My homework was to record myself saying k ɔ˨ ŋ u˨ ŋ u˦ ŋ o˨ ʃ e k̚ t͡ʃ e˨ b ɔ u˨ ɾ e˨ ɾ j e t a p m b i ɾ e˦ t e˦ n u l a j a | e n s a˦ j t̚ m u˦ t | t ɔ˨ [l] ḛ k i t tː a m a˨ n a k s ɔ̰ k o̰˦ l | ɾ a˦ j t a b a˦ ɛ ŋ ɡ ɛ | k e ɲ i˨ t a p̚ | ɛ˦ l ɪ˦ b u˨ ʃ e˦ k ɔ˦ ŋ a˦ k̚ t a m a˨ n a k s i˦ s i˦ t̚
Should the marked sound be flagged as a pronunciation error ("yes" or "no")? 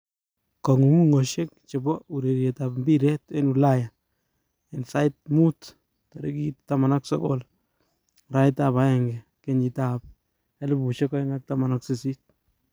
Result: yes